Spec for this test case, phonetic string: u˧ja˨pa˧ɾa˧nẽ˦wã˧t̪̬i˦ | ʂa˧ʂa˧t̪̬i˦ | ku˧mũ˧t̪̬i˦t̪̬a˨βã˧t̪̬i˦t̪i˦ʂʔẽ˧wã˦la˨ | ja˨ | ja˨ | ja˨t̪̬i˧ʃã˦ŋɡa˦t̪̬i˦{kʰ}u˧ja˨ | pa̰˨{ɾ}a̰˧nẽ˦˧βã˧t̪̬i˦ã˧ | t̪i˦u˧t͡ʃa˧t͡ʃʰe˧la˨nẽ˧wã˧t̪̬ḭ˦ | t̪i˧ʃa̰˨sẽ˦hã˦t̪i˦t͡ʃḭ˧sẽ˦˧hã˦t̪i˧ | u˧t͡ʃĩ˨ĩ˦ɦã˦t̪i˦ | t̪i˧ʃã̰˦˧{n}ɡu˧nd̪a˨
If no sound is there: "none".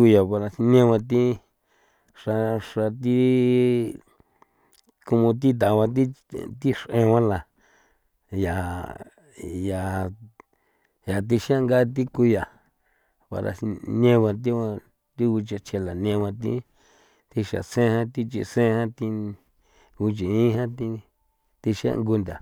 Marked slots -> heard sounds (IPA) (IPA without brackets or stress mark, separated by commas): k, ɾ, ŋ